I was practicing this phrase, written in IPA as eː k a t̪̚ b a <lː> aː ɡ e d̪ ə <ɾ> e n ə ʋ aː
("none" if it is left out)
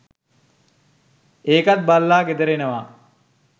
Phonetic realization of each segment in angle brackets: lː, ɾ

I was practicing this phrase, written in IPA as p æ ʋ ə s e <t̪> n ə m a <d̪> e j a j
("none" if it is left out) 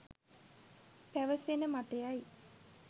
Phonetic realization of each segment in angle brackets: none, t̪

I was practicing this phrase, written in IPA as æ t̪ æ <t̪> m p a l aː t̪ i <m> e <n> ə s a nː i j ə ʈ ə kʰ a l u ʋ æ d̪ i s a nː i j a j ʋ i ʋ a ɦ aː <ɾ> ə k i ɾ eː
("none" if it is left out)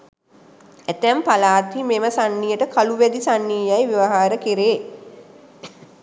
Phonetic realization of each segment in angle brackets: none, m, m, ɾ

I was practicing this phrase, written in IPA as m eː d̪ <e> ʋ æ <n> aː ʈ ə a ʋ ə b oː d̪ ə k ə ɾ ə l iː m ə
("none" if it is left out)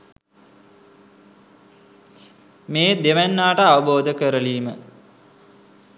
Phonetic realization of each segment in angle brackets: e, nː

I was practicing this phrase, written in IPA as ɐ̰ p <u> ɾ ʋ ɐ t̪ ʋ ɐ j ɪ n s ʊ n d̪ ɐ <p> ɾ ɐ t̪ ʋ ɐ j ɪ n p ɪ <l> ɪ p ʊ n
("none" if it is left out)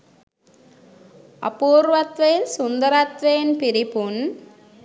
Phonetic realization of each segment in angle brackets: uː, none, ɾ

